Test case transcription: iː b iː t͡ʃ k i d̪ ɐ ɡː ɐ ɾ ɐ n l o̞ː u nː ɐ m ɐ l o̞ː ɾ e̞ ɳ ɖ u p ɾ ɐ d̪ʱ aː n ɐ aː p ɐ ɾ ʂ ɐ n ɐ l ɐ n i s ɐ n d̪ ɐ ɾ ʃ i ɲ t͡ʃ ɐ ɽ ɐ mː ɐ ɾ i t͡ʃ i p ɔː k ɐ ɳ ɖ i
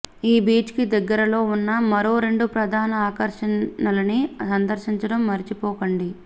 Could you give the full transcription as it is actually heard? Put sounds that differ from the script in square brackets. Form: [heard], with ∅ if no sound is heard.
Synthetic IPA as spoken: iː b iː t͡ʃ k i d̪ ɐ ɡː ɐ ɾ ɐ [∅] l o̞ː u nː ɐ m ɐ [ɾ] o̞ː ɾ e̞ ɳ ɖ u p ɾ ɐ d̪ʱ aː n ɐ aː [k] ɐ ɾ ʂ ɐ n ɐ l ɐ n i s ɐ n d̪ ɐ ɾ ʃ i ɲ t͡ʃ ɐ ɽ ɐ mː ɐ ɾ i t͡ʃ i p ɔː k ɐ ɳ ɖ i